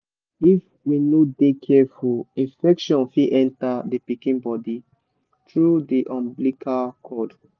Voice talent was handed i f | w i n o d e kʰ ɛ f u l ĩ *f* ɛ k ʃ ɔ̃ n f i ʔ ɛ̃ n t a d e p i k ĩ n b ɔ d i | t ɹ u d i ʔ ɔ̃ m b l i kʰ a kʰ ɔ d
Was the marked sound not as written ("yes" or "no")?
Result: no